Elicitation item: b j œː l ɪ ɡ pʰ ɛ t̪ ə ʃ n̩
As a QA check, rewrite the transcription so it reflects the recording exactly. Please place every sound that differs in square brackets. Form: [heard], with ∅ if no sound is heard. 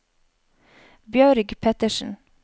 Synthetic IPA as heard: b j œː [ɾ] ɪ ɡ pʰ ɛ t̪ ə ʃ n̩